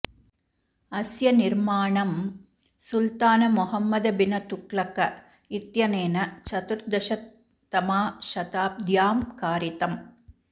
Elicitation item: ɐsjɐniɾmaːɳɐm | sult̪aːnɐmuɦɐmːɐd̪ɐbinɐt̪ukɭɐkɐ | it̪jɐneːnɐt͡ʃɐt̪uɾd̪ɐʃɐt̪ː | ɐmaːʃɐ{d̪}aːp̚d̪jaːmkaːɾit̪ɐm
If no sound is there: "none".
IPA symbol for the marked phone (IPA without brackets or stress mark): t̪